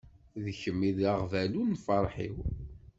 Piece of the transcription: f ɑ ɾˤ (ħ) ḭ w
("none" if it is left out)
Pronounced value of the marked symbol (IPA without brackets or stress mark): ħ